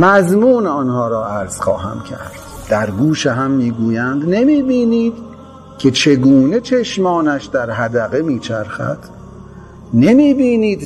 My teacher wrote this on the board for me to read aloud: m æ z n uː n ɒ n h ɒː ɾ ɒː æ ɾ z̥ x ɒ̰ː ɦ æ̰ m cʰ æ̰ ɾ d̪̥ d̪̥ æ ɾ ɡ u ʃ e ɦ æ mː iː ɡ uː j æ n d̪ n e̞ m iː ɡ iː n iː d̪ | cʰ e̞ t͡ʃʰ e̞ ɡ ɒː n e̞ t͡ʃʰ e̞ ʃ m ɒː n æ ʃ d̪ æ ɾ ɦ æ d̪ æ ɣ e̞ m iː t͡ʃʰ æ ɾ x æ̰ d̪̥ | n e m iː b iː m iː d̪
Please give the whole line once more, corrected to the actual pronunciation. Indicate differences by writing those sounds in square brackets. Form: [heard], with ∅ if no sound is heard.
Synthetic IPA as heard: m æ z [m] uː n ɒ n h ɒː ɾ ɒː æ ɾ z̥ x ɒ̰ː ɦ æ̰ m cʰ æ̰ ɾ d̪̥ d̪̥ æ ɾ ɡ [uː] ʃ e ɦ æ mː iː ɡ uː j æ n d̪ n e̞ m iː [b] iː n iː d̪ | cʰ e̞ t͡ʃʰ e̞ ɡ [uː] n e̞ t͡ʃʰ e̞ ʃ m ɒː n æ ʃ d̪ æ ɾ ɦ æ d̪ æ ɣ e̞ m iː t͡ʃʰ æ ɾ x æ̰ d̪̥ | n e m iː b iː [n] iː d̪